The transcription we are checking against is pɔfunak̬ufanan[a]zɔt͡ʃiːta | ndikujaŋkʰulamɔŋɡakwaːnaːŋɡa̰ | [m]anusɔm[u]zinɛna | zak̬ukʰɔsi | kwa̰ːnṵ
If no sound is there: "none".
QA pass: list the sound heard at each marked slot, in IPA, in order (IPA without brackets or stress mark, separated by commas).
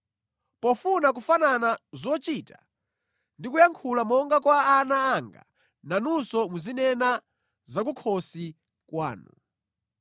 a, n, u